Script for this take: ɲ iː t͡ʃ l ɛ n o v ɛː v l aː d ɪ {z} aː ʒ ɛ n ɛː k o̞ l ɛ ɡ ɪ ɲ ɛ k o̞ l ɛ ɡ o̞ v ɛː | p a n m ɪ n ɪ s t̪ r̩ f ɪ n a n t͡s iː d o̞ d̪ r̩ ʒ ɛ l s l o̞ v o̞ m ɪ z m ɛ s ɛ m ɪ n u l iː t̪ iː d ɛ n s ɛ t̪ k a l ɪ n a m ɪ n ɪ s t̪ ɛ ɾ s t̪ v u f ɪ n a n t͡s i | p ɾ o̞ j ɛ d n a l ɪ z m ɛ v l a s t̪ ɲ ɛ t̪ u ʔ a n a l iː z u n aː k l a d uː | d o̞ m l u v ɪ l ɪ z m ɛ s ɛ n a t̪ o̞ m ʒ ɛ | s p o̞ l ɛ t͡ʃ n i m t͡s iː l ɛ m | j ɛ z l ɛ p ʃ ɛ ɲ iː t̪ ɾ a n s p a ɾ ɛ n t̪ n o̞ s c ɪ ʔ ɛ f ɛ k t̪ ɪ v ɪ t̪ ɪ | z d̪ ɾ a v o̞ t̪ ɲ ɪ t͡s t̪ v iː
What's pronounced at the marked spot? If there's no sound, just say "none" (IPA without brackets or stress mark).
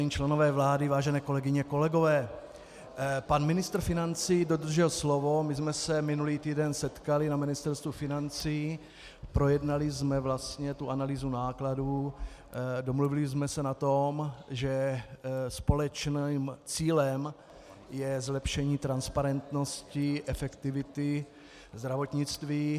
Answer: v